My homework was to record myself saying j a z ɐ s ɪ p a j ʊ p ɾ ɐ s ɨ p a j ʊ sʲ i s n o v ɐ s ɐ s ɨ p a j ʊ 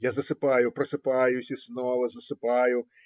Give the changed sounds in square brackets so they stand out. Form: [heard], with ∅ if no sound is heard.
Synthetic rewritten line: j a z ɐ s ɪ p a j ʊ p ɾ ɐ s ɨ p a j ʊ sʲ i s n [ɔ] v ɐ [z] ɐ s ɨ p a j ʊ